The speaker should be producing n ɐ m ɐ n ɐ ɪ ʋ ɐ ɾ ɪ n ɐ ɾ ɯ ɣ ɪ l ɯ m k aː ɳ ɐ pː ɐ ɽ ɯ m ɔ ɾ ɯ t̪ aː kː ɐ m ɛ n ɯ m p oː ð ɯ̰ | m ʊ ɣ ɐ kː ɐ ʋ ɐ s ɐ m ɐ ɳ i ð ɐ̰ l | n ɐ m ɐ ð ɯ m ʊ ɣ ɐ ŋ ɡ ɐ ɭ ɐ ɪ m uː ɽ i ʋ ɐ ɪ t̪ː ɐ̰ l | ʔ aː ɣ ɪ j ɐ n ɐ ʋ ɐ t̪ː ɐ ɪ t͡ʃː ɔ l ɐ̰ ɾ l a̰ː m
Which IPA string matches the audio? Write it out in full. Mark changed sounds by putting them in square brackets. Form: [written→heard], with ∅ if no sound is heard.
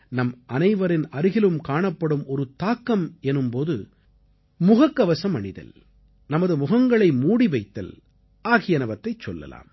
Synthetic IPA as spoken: n ɐ m ɐ n ɐ ɪ ʋ ɐ ɾ ɪ n ɐ ɾ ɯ ɣ ɪ l ɯ m k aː ɳ ɐ pː ɐ ɽ ɯ m ɔ ɾ ɯ t̪ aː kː ɐ m ɛ n ɯ m p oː ð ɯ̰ | m ʊ ɣ ɐ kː ɐ ʋ ɐ s ɐ m ɐ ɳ [i→ɪ] ð ɐ̰ l | n ɐ m ɐ ð ɯ m ʊ ɣ ɐ ŋ ɡ ɐ ɭ ɐ ɪ m uː ɽ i ʋ ɐ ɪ t̪ː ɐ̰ l | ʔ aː ɣ ɪ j ɐ n ɐ ʋ ɐ t̪ː ɐ ɪ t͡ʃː ɔ [l→lː] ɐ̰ [ɾ→∅] l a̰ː m

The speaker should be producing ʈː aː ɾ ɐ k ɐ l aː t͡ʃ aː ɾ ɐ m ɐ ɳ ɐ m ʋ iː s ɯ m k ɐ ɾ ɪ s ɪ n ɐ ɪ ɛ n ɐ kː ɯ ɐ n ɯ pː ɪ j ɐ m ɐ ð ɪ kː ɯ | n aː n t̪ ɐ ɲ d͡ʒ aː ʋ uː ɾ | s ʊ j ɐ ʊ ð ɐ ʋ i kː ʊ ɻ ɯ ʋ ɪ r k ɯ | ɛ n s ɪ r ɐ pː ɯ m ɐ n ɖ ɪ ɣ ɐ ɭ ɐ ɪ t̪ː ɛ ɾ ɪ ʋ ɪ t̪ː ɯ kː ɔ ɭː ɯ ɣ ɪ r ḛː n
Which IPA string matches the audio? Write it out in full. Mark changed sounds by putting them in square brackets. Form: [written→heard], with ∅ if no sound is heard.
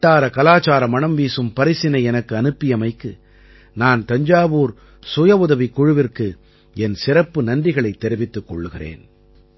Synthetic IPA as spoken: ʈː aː ɾ ɐ k ɐ l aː t͡ʃ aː ɾ ɐ m ɐ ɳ ɐ m ʋ iː s ɯ m [k→p] ɐ ɾ ɪ s ɪ n ɐ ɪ ɛ n ɐ kː ɯ ɐ n ɯ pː ɪ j ɐ m ɐ [ð→∅] ɪ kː ɯ | n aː n t̪ ɐ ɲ d͡ʒ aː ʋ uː ɾ | s ʊ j ɐ ʊ ð ɐ ʋ i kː ʊ ɻ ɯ ʋ ɪ r k ɯ | ɛ n s ɪ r ɐ pː ɯ [m→n] ɐ n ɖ ɪ ɣ ɐ ɭ ɐ ɪ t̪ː ɛ ɾ ɪ ʋ ɪ t̪ː ɯ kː ɔ ɭː ɯ ɣ ɪ r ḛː n

